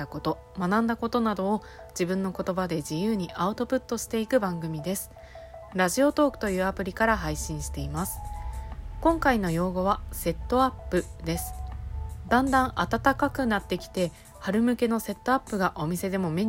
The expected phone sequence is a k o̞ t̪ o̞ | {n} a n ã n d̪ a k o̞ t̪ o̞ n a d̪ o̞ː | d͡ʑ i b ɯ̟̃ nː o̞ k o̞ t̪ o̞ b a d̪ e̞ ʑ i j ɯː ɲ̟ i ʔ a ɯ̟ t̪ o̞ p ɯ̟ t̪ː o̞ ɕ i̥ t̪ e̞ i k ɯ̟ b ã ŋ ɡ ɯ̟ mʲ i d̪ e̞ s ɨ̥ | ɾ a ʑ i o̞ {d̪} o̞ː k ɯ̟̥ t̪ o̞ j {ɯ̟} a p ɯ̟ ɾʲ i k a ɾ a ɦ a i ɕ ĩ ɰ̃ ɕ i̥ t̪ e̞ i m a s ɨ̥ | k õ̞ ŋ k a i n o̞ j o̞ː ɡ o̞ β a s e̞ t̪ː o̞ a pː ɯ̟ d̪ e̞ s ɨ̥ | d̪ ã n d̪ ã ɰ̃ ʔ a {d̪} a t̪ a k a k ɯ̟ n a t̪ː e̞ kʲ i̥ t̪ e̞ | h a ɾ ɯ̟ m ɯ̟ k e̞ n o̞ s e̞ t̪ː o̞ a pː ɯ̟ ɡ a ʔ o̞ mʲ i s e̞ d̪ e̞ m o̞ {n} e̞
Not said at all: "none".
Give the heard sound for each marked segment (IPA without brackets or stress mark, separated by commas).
m, t̪, ɯ̟ː, t̪, m